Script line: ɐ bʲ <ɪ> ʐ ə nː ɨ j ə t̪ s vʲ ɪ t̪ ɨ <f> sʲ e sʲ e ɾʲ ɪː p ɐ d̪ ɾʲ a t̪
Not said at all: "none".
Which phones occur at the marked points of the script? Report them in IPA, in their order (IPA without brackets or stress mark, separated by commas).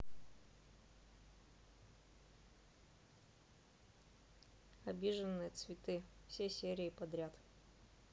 i, f